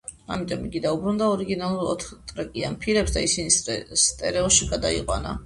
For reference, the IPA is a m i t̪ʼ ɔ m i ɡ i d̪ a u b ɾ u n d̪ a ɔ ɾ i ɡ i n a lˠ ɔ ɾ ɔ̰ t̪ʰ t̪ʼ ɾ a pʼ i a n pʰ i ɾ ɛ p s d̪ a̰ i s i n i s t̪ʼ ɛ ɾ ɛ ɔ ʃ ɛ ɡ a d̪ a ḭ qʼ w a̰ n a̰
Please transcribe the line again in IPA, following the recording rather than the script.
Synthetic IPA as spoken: a m i t̪ʼ ɔ m i ɡ i d̪ a u b ɾ u n d̪ a ɔ ɾ i ɡ i n a lˠ u ɾ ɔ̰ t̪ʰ t̪ʼ ɾ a kʼ i a n pʰ i ɾ ɛ p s d̪ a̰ i s i n i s t̪ʼ ɛ ɾ ɛ ɔ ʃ i ɡ a d̪ a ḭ qʼ w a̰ n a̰

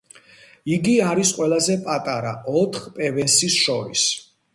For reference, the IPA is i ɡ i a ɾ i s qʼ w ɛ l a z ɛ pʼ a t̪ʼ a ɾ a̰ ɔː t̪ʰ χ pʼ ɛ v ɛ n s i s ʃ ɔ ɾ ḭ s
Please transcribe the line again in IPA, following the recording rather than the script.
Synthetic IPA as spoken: i ɡ i a ɾ i s qʼ w ɛ l a z ɛ pʼ a t̪ʼ a ɾ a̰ ɔ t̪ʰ χ pʼ ɛ v ɛ n s i s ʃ ɔ ɾ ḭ s

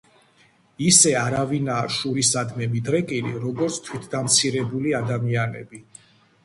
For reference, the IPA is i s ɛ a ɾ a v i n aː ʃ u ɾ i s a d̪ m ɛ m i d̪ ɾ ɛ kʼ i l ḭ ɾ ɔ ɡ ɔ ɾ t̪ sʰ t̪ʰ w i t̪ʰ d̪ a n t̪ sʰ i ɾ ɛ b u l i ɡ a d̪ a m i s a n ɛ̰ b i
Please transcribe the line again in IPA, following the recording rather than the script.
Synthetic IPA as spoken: i s ɛ a ɾ a v i n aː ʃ u ɾ i s a d̪ m ɛ m i d̪ ɾ ɛ kʼ i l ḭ ɾ ɔ ɡ ɔ ɾ t̪ sʰ t̪ʰ w i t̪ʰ d̪ a m t̪ sʰ i ɾ ɛ b u l i a d̪ a m i a n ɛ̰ b i

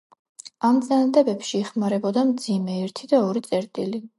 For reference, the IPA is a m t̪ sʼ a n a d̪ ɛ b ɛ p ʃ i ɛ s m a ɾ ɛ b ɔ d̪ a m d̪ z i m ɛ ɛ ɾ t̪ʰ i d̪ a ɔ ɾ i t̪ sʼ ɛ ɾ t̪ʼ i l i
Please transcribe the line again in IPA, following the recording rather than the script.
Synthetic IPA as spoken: a m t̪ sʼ a n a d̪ ɛ b ɛ p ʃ i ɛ χ m a ɾ ɛ b ɔ d̪ a m d̪ z i m ɛ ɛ ɾ t̪ʰ i d̪ a ɔ ɾ i t̪ sʼ ɛ ɾ t̪ʼ i l i

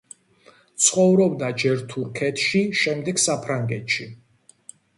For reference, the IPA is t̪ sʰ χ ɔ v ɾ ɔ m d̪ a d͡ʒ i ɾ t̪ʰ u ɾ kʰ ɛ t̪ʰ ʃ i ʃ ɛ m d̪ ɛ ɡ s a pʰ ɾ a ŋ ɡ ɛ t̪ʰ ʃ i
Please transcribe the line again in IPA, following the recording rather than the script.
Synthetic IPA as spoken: t̪ sʰ χ ɔ v ɾ ɔ b d̪ a d͡ʒ ɛ ɾ t̪ʰ u ɾ kʰ ɛ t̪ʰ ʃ i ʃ ɛ m d̪ ɛ ɡ s a pʰ ɾ a ŋ ɡ ɛ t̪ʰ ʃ i

